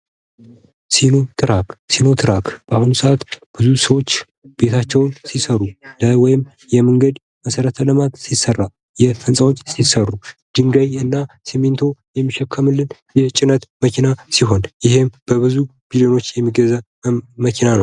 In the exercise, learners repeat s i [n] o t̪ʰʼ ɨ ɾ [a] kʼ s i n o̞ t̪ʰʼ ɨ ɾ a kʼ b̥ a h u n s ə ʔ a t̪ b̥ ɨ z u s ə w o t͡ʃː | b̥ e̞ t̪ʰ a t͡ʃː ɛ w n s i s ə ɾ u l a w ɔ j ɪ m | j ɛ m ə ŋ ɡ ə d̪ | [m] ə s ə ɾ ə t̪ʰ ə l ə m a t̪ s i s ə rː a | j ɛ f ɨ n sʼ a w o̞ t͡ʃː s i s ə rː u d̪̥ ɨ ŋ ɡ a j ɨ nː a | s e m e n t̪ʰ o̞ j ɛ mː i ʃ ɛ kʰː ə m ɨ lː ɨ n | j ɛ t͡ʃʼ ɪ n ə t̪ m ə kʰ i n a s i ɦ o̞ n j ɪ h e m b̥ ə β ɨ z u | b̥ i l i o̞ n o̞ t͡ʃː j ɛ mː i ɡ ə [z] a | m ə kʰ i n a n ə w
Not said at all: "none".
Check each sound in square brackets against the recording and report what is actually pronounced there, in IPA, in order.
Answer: n, a, m, z

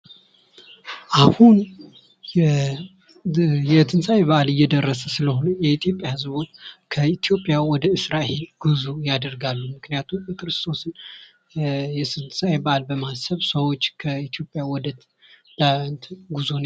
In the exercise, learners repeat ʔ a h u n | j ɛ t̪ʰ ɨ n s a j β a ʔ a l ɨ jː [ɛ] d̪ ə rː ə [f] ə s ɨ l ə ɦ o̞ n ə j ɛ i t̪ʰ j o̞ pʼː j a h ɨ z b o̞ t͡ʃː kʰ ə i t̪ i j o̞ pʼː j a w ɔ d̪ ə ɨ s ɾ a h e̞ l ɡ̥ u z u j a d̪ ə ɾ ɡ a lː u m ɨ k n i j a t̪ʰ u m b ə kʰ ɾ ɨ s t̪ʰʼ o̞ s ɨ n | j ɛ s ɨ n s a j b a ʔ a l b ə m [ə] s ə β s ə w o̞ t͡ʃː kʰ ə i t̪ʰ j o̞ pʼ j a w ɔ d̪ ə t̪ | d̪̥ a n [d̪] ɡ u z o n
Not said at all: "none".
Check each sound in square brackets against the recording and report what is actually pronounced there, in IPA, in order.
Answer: ɛ, s, a, t̪

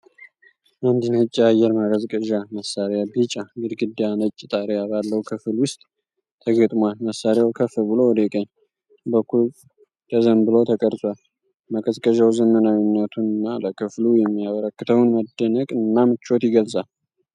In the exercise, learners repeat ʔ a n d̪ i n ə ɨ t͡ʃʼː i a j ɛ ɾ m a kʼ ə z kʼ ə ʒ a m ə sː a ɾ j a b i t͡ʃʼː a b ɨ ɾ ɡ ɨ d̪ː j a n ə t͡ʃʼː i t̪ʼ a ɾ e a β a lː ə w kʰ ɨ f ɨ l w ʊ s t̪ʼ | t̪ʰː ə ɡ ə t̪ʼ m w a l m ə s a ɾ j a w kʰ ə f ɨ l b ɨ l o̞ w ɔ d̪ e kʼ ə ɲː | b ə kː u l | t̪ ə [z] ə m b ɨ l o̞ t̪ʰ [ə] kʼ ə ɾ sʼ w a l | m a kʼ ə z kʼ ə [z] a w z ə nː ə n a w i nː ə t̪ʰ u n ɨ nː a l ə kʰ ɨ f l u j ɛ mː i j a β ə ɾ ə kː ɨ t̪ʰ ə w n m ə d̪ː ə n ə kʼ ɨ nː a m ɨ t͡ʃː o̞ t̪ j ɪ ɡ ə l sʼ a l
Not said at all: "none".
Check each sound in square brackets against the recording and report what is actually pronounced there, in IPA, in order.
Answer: z, ə, ʒ

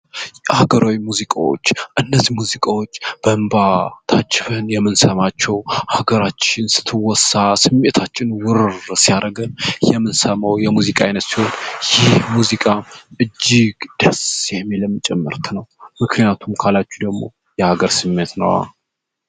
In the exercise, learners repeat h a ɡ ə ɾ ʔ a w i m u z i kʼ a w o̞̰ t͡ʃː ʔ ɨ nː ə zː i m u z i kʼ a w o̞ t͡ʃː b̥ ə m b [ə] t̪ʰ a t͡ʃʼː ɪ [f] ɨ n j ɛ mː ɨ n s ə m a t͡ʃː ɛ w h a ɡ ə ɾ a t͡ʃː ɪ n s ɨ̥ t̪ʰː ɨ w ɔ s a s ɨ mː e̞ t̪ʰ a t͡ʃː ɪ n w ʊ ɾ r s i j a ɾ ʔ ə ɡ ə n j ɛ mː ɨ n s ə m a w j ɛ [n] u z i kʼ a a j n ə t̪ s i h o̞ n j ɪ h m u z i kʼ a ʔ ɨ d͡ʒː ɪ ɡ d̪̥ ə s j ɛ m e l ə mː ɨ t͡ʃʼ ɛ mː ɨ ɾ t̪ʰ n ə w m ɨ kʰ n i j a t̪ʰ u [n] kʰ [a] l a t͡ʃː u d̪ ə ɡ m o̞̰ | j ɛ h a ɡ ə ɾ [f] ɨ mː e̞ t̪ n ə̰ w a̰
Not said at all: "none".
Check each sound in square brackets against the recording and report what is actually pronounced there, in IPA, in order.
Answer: a, f, m, m, a, s

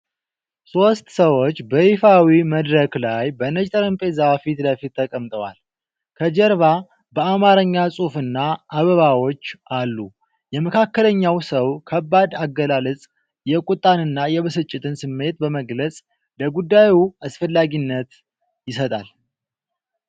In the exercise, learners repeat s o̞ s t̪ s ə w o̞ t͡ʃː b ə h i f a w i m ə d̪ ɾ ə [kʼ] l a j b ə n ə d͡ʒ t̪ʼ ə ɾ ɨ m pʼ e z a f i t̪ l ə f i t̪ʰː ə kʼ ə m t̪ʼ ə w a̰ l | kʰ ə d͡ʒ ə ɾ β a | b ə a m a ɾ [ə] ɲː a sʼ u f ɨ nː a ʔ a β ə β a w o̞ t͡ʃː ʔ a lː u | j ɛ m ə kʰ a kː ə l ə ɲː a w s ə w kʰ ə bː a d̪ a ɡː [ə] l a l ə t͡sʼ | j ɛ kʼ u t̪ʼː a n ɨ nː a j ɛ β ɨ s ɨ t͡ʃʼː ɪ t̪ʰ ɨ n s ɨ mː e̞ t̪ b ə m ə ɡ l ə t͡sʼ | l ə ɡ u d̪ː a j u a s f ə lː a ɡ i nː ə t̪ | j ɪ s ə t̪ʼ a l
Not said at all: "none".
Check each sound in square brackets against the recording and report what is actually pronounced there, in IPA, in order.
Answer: k, ə, ə

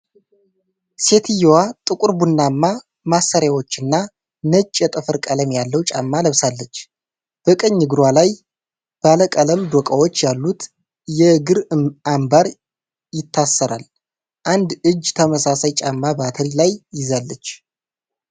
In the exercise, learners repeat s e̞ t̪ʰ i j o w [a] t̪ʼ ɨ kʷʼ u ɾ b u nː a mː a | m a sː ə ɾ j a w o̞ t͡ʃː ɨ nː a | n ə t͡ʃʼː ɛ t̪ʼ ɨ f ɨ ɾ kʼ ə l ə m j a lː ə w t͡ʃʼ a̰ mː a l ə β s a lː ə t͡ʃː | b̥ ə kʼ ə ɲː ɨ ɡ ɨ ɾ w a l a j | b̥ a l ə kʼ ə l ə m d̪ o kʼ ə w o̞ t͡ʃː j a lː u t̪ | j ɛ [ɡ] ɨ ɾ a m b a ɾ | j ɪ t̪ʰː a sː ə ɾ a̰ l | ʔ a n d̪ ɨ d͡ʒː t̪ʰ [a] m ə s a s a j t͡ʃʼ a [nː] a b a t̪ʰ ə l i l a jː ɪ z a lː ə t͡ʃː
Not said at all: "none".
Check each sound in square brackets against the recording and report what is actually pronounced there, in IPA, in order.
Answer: a, ɡ, ə, mː

